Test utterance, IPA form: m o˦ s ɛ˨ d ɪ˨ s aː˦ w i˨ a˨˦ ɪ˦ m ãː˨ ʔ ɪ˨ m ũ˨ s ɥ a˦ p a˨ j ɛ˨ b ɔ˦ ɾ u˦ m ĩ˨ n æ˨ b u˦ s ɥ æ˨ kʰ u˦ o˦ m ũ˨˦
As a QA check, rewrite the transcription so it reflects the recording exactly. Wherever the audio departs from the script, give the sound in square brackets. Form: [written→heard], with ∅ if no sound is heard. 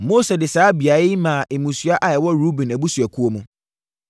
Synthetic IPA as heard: m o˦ s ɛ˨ d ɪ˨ s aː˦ [w→b] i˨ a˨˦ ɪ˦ m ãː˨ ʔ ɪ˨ m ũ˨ s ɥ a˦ [p→ʔ] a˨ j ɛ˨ [b→w] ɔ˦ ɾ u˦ [m→b] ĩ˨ n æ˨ b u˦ s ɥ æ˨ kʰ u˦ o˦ m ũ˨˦